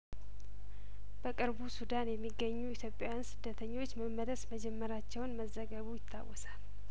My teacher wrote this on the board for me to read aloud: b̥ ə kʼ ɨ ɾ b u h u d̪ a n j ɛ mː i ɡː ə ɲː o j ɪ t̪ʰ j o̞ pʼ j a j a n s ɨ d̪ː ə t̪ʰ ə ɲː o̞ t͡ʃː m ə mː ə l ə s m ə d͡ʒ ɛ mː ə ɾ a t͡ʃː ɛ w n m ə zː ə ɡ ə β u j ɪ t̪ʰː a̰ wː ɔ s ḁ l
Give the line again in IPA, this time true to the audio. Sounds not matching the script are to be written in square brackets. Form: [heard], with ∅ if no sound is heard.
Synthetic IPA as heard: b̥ ə kʼ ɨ ɾ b u [s] u d̪ a n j ɛ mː i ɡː ə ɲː [u] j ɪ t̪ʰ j o̞ pʼ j a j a n s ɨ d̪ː ə t̪ʰ ə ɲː o̞ t͡ʃː m ə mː ə l ə s m ə d͡ʒ ɛ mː ə ɾ a t͡ʃː ɛ w n m ə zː ə ɡ ə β u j ɪ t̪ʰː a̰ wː ɔ s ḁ l

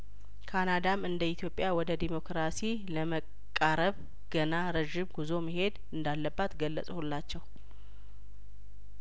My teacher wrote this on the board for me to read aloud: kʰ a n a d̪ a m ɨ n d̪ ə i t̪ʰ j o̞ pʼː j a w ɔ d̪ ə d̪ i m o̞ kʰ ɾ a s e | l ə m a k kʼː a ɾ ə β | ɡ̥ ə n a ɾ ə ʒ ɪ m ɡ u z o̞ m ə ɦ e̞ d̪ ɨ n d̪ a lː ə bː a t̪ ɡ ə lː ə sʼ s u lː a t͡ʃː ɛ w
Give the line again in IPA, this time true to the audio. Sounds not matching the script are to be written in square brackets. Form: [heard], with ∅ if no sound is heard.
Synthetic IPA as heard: kʰ a n a d̪ a m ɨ n d̪ ə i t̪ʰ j o̞ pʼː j a w ɔ d̪ ə d̪ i m o̞ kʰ ɾ a s [i] | l ə m [ə] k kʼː a ɾ ə β | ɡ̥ ə n a ɾ ə ʒ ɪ m ɡ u z o̞ m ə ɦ e̞ d̪ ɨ n d̪ a lː ə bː a t̪ ɡ ə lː ə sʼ [h] u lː a t͡ʃː ɛ w

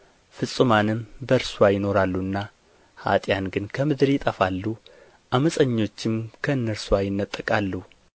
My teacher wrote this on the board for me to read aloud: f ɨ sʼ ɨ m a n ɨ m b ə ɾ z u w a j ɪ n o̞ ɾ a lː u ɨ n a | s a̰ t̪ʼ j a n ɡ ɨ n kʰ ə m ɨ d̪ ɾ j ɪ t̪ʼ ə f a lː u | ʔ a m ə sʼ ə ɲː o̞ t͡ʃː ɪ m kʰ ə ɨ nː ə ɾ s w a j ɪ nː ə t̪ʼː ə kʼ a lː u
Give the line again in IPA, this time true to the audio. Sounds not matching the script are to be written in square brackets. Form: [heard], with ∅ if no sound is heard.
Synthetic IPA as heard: f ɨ sʼ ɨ m a n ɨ m b ə ɾ [s] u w a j ɪ n o̞ ɾ a lː u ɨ [nː] a | [h] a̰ t̪ʼ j a n ɡ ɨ n kʰ ə m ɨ d̪ ɾ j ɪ t̪ʼ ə f a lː u | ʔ a m ə sʼ ə ɲː o̞ t͡ʃː ɪ m kʰ ə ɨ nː ə ɾ s w a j ɪ nː ə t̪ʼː ə kʼ a lː u

